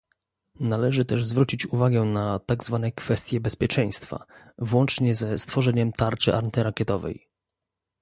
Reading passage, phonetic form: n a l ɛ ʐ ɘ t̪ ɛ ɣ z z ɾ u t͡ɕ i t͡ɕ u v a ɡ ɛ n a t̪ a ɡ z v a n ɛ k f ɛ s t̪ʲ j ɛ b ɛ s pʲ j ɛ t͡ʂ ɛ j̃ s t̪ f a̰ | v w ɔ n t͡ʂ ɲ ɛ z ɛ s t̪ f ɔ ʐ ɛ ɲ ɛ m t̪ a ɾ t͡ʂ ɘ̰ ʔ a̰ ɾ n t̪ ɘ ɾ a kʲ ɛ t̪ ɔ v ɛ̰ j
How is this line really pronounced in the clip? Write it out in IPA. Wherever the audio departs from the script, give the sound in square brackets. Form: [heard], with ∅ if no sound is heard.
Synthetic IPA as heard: n a l ɛ ʐ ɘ t̪ ɛ [ʐ] z [v] ɾ u t͡ɕ i t͡ɕ u v a ɡ ɛ n a t̪ a ɡ z v a n ɛ k f ɛ s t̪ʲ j ɛ b ɛ s pʲ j ɛ t͡ʂ ɛ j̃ s t̪ f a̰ | v w ɔ n t͡ʂ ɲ ɛ z ɛ s t̪ f ɔ ʐ ɛ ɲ ɛ m t̪ a ɾ t͡ʂ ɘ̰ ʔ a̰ ɾ n t̪ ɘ ɾ a kʲ ɛ t̪ ɔ v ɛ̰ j